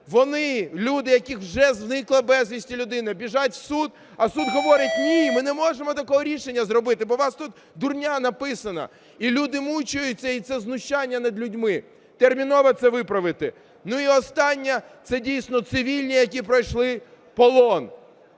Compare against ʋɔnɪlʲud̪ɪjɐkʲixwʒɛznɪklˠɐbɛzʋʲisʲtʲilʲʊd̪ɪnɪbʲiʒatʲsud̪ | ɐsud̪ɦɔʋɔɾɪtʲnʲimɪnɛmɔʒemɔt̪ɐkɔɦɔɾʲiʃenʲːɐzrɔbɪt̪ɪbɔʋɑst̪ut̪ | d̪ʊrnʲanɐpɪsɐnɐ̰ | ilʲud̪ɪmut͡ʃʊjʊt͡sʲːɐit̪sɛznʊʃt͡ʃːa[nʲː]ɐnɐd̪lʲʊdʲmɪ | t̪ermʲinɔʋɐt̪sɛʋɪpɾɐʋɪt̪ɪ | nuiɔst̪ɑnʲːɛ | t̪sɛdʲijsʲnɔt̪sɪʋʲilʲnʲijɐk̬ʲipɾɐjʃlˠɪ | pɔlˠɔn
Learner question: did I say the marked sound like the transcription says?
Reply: yes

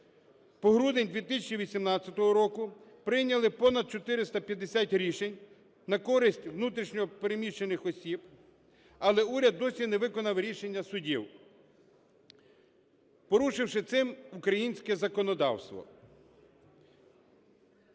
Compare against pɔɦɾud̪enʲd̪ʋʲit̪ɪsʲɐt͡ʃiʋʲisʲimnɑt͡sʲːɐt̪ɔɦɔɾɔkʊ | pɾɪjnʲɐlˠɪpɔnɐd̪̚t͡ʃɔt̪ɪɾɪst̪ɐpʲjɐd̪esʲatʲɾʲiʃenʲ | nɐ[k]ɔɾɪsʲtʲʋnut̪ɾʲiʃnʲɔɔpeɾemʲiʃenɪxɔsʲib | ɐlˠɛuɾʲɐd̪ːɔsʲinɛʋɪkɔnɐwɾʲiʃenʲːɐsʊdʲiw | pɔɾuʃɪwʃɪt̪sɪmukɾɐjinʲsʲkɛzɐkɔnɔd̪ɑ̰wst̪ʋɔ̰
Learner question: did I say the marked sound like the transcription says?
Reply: yes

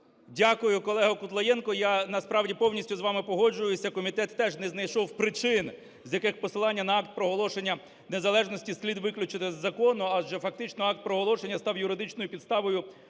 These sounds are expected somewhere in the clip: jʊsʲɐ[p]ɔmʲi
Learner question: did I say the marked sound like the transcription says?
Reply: no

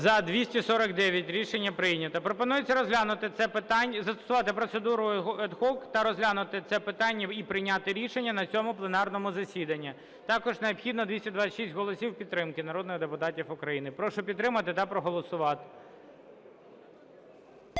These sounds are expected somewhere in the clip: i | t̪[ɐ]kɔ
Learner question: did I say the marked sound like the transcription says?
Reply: no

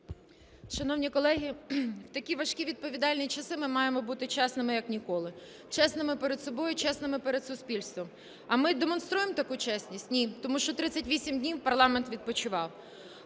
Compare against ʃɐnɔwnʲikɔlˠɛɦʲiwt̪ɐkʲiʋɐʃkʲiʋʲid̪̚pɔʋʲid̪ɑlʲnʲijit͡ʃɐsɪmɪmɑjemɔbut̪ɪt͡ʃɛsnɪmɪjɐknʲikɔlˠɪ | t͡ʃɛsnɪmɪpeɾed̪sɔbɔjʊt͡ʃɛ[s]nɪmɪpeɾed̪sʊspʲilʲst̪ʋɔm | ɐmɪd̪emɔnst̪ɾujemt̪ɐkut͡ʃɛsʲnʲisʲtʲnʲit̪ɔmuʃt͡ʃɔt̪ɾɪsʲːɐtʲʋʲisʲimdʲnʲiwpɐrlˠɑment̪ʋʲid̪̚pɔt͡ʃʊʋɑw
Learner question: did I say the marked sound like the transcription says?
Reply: yes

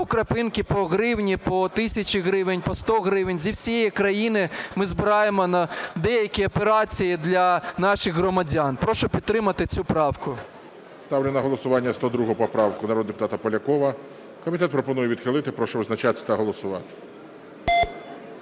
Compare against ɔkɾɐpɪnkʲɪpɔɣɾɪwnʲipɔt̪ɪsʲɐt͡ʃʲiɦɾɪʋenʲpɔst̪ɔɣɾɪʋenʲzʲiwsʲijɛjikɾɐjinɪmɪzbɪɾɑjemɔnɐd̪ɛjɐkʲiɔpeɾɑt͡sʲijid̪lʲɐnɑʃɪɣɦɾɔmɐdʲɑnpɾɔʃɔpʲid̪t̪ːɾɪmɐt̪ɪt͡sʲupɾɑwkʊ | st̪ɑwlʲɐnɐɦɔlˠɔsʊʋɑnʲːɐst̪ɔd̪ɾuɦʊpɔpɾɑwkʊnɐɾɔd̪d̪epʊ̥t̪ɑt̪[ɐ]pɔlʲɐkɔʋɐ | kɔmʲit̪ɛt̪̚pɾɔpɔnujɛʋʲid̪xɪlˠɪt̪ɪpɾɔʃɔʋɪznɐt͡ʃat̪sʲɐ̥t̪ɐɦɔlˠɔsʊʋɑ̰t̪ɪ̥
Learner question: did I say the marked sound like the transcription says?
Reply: yes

